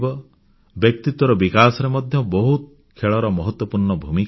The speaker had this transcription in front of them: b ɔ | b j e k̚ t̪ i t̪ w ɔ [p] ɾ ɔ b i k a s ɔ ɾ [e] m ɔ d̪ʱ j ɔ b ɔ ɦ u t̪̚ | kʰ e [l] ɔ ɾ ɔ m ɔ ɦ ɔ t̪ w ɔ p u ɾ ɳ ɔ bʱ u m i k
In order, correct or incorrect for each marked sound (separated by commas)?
incorrect, correct, incorrect